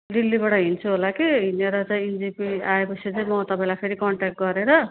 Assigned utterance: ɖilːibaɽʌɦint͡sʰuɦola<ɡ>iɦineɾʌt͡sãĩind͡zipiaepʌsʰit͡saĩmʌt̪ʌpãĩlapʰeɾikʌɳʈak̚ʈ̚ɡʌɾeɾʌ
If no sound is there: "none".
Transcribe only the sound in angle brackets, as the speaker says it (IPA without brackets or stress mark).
k